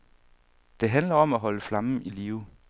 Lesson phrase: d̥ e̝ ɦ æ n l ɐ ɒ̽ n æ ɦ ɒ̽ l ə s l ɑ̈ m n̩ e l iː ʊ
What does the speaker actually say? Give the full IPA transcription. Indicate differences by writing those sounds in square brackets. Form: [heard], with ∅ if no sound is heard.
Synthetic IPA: d̥ e̝ ɦ æ n l ɐ ɒ̽ [m] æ ɦ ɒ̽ l ə [f] l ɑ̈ m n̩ [i] l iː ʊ